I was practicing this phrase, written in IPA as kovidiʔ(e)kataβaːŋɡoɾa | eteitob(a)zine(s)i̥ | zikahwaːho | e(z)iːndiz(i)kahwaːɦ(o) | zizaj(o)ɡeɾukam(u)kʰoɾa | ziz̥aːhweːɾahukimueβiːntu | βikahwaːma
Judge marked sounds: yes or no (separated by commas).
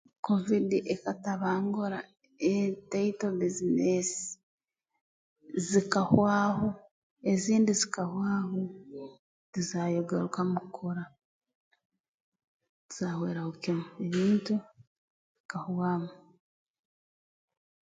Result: yes, no, yes, yes, yes, yes, yes, yes